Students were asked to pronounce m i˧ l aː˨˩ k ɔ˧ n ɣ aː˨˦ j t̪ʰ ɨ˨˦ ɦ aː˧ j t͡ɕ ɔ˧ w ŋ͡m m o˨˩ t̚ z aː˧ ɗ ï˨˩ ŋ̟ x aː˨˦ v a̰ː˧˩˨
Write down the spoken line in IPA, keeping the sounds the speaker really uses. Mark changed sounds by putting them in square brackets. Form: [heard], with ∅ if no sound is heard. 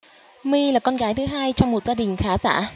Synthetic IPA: m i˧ l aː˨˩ k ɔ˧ n ɣ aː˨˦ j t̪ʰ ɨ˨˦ ɦ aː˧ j t͡ɕ ɔ˧ w ŋ͡m m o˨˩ t̚ z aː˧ ɗ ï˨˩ ŋ̟ x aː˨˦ [z] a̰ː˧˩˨

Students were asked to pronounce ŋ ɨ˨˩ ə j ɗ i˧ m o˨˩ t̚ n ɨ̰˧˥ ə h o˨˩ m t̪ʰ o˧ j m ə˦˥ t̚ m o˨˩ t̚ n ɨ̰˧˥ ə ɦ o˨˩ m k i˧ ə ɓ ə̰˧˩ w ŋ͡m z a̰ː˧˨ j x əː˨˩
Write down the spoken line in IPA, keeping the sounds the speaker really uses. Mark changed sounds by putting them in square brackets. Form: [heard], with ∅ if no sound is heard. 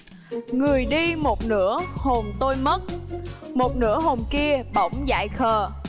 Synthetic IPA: ŋ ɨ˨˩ ə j ɗ i˧ m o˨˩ t̚ n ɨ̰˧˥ ə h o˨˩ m [t̪] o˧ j m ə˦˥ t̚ m o˨˩ t̚ n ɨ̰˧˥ ə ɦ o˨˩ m k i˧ ə ɓ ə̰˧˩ w ŋ͡m z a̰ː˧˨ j x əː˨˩

